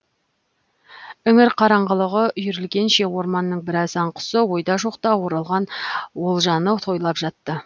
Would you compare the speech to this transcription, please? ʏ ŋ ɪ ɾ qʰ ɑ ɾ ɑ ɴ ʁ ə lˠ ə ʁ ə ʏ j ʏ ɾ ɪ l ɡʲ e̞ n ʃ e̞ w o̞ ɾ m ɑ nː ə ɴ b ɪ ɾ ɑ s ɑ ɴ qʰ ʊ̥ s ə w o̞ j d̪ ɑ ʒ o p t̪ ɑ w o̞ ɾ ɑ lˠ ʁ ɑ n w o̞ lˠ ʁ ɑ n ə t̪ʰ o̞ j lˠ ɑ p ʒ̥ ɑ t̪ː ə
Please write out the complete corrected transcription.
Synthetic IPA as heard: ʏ ŋ ɪ ɾ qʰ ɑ ɾ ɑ ɴ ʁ ə lˠ ə ʁ ə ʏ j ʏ ɾ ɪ l ɡʲ e̞ n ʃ e̞ w o̞ ɾ m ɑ nː ə ɴ b ɪ ɾ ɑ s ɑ ɴ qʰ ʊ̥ s ə w o̞ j d̪ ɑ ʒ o q t̪ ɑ w o̞ ɾ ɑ lˠ ʁ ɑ n w o̞ lˠ ʒ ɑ n ə t̪ʰ o̞ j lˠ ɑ p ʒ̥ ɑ t̪ː ə

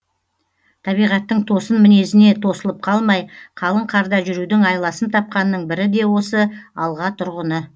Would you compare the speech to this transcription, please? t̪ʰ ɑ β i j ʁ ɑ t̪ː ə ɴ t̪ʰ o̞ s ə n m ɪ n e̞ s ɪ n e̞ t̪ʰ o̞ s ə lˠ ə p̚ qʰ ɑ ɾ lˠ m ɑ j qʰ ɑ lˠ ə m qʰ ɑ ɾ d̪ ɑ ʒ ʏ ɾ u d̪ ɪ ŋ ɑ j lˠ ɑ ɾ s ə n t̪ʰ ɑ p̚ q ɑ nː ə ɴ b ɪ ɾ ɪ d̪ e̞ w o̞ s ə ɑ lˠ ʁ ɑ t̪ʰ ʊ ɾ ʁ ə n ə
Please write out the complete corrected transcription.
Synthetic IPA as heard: t̪ʰ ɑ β i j ʁ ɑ t̪ː ə ɴ t̪ʰ o̞ s ə n m ɪ n e̞ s ɪ n e̞ t̪ʰ o̞ s ə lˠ ə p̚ qʰ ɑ lˠ m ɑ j qʰ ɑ lˠ ə ɴ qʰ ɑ ɾ d̪ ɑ ʒ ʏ ɾ u d̪ ɪ ŋ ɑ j lˠ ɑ s ə n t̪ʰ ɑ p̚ q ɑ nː ə ɴ b ɪ ɾ ɪ d̪ e̞ w o̞ s ə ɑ lˠ ʁ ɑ t̪ʰ ʊ ɾ ʁ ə n ə

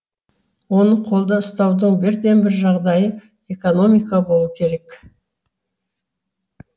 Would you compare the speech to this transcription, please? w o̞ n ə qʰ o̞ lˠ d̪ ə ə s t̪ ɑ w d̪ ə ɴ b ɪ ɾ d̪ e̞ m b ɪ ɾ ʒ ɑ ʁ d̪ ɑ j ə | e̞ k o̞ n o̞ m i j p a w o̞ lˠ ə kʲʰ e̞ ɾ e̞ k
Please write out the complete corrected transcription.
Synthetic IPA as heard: w o̞ n ə qʰ o̞ lˠ d̪ ə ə s t̪ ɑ w d̪ ə ɴ b ɪ ɾ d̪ e̞ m b ɪ ɾ ʒ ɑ ʁ d̪ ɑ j ə | e̞ k o̞ n o̞ m i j k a b o̞ lˠ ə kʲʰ e̞ ɾ e̞ k

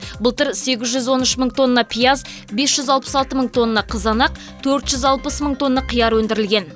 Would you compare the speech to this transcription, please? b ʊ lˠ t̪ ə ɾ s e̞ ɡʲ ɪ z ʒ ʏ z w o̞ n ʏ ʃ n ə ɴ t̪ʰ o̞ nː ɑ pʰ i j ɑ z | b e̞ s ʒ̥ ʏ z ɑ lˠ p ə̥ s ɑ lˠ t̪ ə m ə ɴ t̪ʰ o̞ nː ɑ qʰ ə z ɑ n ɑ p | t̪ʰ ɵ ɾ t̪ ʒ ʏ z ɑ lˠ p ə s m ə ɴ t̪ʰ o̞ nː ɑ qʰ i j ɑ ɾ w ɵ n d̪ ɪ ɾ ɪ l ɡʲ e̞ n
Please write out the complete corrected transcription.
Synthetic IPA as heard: b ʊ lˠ t̪ ə ɾ s e̞ ɡʲ ɪ z ʒ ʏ z w o̞ n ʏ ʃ m ə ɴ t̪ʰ o̞ nː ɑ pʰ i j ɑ z | b e̞ s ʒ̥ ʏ z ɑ lˠ p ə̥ s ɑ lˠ t̪ ə m ə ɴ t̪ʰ o̞ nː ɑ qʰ ə z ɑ n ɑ q | t̪ʰ ɵ ɾ t̪ ʒ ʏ z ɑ lˠ p ə s m ə ɴ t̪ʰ o̞ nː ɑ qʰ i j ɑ ɾ w ɵ n d̪ ɪ ɾ ɪ l ɡʲ e̞ n

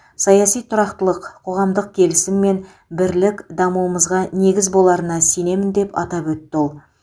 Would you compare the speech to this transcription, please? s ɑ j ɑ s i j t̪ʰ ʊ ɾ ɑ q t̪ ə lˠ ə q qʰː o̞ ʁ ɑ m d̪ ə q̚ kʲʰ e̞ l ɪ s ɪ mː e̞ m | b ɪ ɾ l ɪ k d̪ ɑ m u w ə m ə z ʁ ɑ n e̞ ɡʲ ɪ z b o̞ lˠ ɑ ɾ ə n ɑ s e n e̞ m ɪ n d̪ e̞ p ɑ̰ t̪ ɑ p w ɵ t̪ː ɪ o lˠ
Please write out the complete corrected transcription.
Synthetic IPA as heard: s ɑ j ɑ s i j t̪ʰ ʊ ɾ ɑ q t̪ ə lˠ ə q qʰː o̞ ʁ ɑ m d̪ ə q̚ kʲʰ e̞ l ɪ s ɪ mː e̞ n | b ɪ ɾ l ɪ k d̪ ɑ m u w ə m ə z ʁ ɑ n e̞ ɡʲ ɪ z b o̞ lˠ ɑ ɾ ə n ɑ s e n e̞ m ɪ n d̪ e̞ p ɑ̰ t̪ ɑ p w ɵ t̪ː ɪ o lˠ

